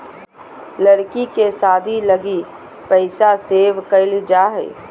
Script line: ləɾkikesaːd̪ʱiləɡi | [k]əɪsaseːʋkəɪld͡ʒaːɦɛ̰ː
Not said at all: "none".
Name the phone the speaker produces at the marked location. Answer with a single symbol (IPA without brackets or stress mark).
p